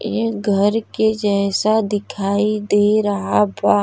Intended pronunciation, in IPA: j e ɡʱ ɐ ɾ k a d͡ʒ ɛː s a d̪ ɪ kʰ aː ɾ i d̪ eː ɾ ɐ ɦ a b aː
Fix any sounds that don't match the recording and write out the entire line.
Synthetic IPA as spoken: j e ɡʱ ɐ ɾ k e d͡ʒ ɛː s a d̪ ɪ kʰ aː i d̪ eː ɾ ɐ ɦ a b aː